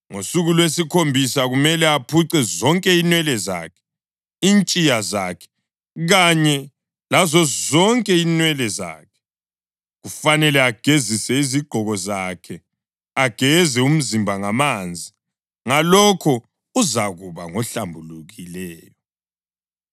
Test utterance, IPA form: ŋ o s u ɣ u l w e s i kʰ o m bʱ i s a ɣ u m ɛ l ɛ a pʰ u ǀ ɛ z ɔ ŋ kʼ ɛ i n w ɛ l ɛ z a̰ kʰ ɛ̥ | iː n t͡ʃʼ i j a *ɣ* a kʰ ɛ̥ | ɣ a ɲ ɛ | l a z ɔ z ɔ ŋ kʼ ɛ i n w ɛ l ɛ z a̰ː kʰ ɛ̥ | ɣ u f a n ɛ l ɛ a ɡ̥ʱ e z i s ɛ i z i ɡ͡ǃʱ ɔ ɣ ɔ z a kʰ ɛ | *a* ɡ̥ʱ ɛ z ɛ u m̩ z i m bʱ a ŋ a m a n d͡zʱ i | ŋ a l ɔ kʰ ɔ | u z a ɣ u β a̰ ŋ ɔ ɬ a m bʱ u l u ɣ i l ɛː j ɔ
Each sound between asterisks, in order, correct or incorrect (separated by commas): incorrect, correct